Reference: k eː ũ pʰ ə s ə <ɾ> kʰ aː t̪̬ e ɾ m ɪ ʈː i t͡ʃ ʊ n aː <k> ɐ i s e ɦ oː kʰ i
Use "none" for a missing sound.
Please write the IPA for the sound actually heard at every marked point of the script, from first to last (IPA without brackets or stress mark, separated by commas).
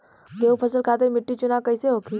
l, k